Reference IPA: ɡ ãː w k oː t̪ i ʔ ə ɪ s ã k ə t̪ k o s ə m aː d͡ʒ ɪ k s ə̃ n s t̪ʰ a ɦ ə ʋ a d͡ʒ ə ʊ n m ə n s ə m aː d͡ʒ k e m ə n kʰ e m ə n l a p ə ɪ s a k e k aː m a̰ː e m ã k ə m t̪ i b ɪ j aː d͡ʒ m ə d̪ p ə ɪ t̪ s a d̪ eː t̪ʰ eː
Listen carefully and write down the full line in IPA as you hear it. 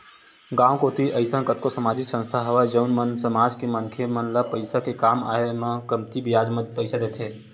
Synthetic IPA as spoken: ɡ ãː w k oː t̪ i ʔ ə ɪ s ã k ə t̪ k o s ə m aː d͡ʒ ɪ k s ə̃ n s t̪ʰ a ɦ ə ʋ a d͡ʒ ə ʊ n m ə n s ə m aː d͡ʒ k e m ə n kʰ e m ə n l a p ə ɪ s a k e k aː m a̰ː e m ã k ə m t̪ i b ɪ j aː d͡ʒ m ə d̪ p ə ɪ s a d̪ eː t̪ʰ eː